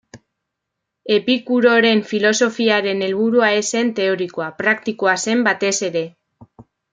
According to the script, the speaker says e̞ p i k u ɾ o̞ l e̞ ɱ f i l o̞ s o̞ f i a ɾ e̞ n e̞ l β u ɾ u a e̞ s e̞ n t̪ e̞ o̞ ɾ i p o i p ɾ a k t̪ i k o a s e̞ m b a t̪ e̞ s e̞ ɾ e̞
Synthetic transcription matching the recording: e̞ p i k u ɾ o̞ ɾ e̞ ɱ f i l o̞ s o̞ f i a ɾ e̞ n e̞ l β u ɾ u a e̞ s e̞ n t̪ e̞ o̞ ɾ i k o a p ɾ a k t̪ i k o a s e̞ m b a t̪ e̞ s e̞ ɾ e̞

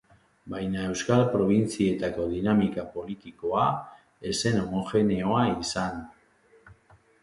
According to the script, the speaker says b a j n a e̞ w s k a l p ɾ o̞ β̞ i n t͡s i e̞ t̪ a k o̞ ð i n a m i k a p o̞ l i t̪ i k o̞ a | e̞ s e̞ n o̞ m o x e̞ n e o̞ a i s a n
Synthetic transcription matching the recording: b a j n a e̞ w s k a l p ɾ o̞ β̞ i n t͡s i e̞ t̪ a k o̞ ð i n a m i k a p o̞ l i t̪ i k o̞ a | e̞ s e̞ n o̞ m o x e̞ n e o̞ a i s a n

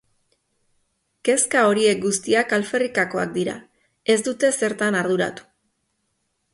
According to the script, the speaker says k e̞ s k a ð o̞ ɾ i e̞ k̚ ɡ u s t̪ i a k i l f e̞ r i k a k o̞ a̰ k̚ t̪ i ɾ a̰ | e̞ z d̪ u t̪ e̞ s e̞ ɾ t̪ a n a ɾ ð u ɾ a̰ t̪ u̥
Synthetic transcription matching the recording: k e̞ s k a o̞ ɾ i e̞ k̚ ɡ u s t̪ i a k a l f e̞ r i k a k o̞ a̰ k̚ d̪ i ɾ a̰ | e̞ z d̪ u t̪ e̞ s e̞ ɾ t̪ a n a ɾ ð u ɾ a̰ t̪ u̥

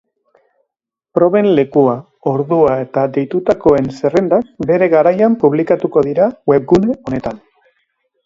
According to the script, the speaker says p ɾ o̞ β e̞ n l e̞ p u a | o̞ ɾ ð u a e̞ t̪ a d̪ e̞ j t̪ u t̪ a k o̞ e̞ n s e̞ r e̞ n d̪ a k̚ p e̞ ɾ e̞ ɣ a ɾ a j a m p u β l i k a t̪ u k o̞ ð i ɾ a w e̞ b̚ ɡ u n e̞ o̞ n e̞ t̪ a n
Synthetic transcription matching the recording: p ɾ o̞ β e̞ n l e̞ k u a | o̞ ɾ ð u a e̞ t̪ a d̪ e̞ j t̪ u t̪ a k o̞ e̞ n s e̞ r e̞ n d̪ a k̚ b e̞ ɾ e̞ ɣ a ɾ a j a m p u β l i k a t̪ u k o̞ ð i ɾ a w e̞ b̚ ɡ u n e̞ o̞ n e̞ t̪ a n

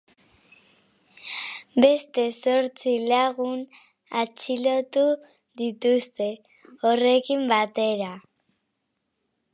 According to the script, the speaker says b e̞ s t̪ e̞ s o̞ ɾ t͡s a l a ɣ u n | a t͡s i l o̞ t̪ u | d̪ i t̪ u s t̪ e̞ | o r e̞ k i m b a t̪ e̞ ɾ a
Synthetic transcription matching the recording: b e̞ s t̪ e̞ s o̞ ɾ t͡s i l a ɣ u n | a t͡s i l o̞ t̪ u | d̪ i t̪ u s t̪ e̞ | o r e̞ k i m b a t̪ e̞ ɾ a

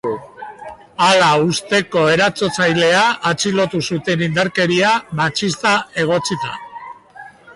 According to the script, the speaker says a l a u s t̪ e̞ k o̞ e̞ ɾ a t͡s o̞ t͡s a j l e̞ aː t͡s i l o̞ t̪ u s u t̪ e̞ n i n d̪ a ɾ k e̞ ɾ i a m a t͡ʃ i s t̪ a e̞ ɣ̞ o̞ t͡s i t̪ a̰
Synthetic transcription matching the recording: a l a u s t̪ e̞ k o̞ e̞ ɾ a t͡s o̞ t͡s a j l e̞ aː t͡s i l o̞ t̪ u s u t̪ e̞ n i n d̪ a ɾ k e̞ ɾ i a m a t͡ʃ i s t̪ a e̞ ɣ̞ o̞ t͡s i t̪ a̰

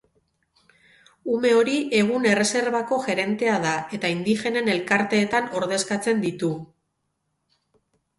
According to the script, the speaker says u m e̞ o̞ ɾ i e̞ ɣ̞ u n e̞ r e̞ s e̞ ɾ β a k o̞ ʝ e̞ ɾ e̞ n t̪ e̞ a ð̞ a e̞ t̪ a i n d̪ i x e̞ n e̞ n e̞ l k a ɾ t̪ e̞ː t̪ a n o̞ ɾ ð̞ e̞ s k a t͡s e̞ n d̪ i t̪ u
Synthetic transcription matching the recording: u m e̞ o̞ ɾ i e̞ ɣ̞ u n e̞ r e̞ s e̞ ɾ β a k o̞ ʝ e̞ ɾ e̞ n t̪ e̞ a ð̞ a e̞ t̪ a i n d̪ i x e̞ n e̞ n e̞ l k a ɾ t̪ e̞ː t̪ a n o̞ ɾ ð̞ e̞ s k a t͡s e̞ n d̪ i t̪ u

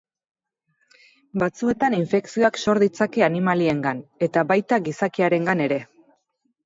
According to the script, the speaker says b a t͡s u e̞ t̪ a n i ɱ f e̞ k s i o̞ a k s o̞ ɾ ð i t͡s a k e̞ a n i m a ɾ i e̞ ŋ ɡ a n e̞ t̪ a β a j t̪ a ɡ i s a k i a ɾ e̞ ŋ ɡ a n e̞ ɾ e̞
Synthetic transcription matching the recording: b a t͡s u e̞ t̪ a n i ɱ f e̞ k s i o̞ a k s o̞ ɾ ð i t͡s a k e̞ a n i m a l i e̞ ŋ ɡ a n e̞ t̪ a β a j t̪ a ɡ i s a k i a ɾ e̞ ŋ ɡ a n e̞ ɾ e̞

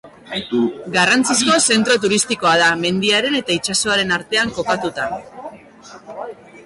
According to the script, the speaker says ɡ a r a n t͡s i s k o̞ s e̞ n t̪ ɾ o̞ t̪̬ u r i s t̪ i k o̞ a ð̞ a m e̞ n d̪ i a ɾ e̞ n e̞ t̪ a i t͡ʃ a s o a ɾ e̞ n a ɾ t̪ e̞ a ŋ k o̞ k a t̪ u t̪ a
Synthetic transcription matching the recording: ɡ a r a n t͡s i s k o̞ s e̞ n t̪ ɾ o̞ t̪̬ u ɾ i s t̪ i k o̞ a ð̞ a m e̞ n d̪ i a ɾ e̞ n e̞ t̪ a i t͡ʃ a s o a ɾ e̞ n a ɾ t̪ e̞ a ŋ k o̞ k a t̪ u t̪ a

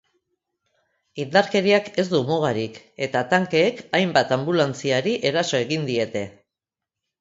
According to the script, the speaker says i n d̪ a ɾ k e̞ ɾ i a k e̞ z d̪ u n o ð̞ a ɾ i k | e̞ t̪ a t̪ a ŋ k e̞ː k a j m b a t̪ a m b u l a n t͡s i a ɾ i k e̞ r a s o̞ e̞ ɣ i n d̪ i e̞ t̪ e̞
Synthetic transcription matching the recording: i n d̪ a ɾ k e̞ ɾ i a k e̞ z d̪ u m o ɣ̞ a ɾ i k | e̞ t̪ a t̪ a ŋ k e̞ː k a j m b a t̪ a m b u l a n t͡s i a ɾ i ʔ e̞ ɾ a s o̞ e̞ ɣ i n d̪ i e̞ t̪ e̞

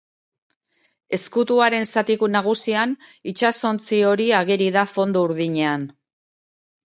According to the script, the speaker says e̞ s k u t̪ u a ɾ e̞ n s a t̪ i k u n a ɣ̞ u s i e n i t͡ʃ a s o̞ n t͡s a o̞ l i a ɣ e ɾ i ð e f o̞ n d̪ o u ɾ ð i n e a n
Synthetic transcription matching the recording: e̞ s k u t̪ u a ɾ e̞ n s a t̪ i k u n a ɣ̞ u s i a n i t͡ʃ a s o̞ n t͡s i o̞ ɾ i a ɣ e ɾ i ð a f o̞ n d̪ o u ɾ ð i ɲ e a n

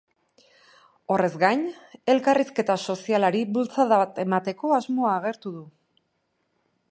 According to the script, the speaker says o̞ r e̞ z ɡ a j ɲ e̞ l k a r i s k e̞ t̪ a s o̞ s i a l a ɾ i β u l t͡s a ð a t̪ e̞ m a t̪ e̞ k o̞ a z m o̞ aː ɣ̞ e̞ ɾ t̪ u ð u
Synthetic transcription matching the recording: o̞ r e̞ z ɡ a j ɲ e̞ l k a r i s k e̞ t̪ a s o̞ s i a l a ɾ i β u l t͡s a ð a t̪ e̞ m a t̪ e̞ k o̞ a z m o̞ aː ɣ̞ e̞ ɾ t̪ u ð u

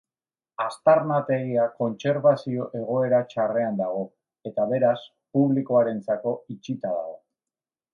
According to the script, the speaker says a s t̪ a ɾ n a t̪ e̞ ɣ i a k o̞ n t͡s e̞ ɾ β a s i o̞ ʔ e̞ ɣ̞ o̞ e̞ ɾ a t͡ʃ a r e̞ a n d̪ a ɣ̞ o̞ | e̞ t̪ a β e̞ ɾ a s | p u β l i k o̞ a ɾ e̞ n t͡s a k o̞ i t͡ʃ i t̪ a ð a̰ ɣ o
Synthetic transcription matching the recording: a s t̪ a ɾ n a t̪ e̞ ɣ i a k o̞ n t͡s e̞ ɾ β a s i o̞ ʔ e̞ ɣ̞ o̞ e̞ ɾ a t͡ʃ a r e̞ a n d̪ a ɣ̞ o̞ | e̞ t̪ a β e̞ ɾ a s | p u β l i k o̞ a ɾ e̞ n t͡s a k o̞ i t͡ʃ i t̪ a ð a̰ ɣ o

